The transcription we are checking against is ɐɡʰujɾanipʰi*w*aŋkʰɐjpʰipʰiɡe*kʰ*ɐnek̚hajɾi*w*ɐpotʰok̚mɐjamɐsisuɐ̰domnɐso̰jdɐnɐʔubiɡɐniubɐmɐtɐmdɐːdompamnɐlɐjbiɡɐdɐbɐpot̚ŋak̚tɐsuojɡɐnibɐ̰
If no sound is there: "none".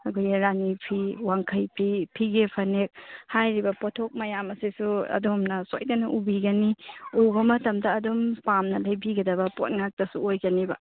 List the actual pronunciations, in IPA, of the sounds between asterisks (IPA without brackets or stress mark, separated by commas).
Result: w, pʰ, b